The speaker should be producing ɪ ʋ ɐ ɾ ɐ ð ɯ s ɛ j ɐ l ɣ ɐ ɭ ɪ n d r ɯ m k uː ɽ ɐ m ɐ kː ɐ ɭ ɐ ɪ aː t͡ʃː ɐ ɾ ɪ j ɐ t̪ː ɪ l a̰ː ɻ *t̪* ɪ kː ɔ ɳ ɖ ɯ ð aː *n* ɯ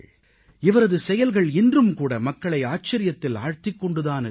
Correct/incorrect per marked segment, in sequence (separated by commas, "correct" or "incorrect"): correct, correct